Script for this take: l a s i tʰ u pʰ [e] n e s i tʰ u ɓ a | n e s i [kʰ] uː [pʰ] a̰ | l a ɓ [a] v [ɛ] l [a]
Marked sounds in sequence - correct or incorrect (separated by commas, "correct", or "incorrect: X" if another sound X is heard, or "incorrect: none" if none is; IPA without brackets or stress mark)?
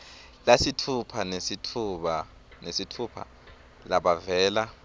incorrect: a, incorrect: tʰ, correct, correct, incorrect: ɛː, correct